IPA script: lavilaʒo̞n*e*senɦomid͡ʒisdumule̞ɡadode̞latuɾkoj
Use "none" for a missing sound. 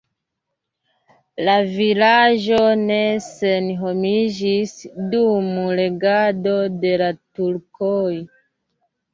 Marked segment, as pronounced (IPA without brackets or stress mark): e